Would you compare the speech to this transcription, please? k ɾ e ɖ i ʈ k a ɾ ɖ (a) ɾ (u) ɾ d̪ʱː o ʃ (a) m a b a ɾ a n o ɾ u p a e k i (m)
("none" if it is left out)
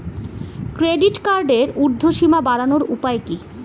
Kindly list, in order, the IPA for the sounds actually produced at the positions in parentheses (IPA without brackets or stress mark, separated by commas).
e, u, i, none